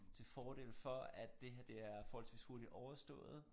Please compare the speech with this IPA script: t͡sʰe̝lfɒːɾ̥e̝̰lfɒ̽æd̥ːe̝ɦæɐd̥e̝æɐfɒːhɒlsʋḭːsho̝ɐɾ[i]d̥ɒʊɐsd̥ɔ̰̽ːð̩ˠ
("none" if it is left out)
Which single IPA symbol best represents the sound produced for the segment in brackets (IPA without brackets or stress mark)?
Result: i